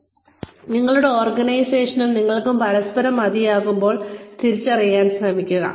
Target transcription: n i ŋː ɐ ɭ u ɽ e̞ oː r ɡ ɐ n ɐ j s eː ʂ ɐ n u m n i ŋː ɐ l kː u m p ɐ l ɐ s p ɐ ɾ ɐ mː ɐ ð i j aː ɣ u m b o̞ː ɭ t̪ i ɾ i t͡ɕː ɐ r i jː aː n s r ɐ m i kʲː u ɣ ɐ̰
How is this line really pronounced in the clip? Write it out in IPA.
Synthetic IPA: n i ŋː ɐ ɭ u ɽ e̞ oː r ɡ ɐ n ɐ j s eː ʂ ɐ n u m n i ŋː ɐ ɭ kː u m p ɐ ɾ ɐ s p ɐ ɾ ɐ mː ɐ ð i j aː ɣ u m b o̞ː ɭ t̪ i ɾ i t͡ɕː ɐ r i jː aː n s r ɐ m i kʲː u ɣ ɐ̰